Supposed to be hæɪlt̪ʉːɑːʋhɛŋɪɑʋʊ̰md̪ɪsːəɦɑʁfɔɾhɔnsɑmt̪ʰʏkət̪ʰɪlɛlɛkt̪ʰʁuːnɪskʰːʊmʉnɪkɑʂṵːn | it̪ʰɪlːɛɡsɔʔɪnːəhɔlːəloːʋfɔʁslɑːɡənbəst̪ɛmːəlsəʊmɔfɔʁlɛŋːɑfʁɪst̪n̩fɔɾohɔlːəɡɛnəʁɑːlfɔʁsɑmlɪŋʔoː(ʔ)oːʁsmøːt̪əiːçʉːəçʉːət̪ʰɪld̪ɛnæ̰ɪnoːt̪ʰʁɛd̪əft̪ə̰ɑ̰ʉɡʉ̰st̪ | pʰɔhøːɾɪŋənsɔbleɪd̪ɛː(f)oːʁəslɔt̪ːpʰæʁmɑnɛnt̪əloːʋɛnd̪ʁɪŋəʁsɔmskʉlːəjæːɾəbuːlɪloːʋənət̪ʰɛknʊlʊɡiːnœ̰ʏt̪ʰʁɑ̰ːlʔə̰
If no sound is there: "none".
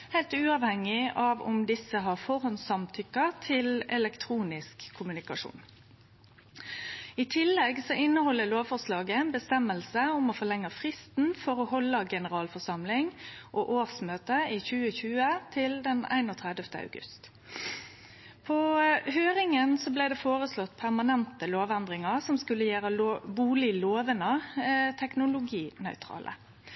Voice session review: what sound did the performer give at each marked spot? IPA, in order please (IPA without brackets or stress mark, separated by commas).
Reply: ʔ, f